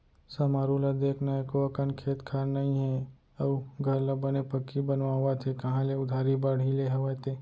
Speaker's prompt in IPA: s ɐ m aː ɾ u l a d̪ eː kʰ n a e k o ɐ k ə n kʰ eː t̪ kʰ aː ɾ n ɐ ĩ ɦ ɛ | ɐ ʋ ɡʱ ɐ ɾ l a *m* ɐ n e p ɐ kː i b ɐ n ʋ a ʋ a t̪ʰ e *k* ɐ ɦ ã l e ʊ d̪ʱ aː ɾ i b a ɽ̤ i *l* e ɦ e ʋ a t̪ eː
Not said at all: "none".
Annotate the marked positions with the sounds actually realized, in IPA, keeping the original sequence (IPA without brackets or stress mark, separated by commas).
b, k, l